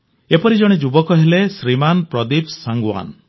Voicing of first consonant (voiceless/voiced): voiceless